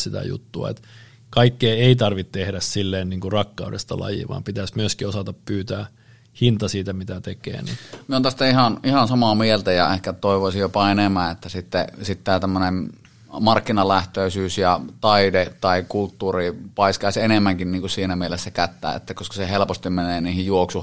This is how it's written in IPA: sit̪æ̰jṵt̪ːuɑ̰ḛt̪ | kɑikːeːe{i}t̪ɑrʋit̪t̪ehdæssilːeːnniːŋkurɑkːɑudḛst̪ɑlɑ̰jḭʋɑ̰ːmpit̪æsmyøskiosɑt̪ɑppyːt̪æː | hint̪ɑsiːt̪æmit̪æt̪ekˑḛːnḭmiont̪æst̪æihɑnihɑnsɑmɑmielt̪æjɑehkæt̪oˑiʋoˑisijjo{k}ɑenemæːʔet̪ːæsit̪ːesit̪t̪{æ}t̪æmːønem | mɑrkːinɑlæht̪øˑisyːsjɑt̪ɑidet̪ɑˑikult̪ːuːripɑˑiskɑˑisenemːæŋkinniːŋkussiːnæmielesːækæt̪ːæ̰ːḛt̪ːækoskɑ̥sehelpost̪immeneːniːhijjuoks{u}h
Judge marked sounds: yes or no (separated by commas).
yes, no, no, yes